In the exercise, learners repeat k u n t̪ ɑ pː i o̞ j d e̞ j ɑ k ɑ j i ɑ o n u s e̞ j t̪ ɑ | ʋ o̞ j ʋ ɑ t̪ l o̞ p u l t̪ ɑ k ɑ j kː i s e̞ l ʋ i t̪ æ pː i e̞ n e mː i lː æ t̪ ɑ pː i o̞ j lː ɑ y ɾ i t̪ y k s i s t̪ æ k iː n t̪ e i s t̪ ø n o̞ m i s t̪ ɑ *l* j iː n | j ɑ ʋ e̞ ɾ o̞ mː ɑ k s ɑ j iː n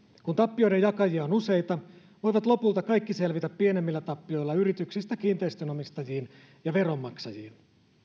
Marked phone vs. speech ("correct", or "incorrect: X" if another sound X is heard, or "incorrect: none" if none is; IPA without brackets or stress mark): incorrect: none